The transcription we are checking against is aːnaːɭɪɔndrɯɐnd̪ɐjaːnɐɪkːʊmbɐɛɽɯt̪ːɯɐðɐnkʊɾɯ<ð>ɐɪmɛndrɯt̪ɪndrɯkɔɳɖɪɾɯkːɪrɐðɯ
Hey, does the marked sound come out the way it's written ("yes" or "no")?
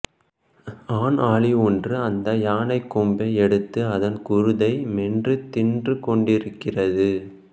yes